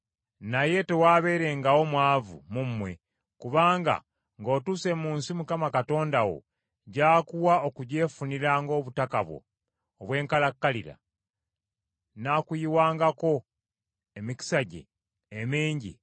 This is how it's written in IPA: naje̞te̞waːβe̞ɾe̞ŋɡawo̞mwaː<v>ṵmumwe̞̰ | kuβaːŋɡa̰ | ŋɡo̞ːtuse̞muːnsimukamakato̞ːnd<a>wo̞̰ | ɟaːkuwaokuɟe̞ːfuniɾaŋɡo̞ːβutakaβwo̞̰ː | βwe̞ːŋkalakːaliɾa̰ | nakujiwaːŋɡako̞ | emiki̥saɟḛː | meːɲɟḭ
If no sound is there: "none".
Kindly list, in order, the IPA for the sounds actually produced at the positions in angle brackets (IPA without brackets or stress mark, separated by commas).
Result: v, a